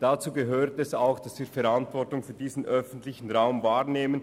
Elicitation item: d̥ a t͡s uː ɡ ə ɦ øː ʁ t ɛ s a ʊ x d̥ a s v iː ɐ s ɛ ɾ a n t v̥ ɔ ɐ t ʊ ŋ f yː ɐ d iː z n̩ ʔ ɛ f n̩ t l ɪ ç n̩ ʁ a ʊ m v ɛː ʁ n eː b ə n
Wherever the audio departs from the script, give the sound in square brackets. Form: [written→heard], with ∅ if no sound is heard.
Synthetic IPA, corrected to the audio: d̥ a t͡s uː ɡ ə ɦ øː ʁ t ɛ s a ʊ x d̥ a s v iː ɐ [s→f] ɛ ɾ a n t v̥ ɔ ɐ t ʊ ŋ f yː ɐ d iː z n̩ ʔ [ɛ→œ] f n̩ t l ɪ ç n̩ ʁ a ʊ m v [ɛː→aː] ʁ n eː [b→m] ə n